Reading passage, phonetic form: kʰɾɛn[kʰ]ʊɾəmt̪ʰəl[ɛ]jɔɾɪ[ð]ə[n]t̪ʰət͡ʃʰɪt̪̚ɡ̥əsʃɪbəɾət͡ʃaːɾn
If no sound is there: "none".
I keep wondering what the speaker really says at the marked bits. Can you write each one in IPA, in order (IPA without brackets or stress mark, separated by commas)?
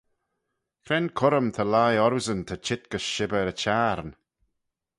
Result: kʰ, a, z, n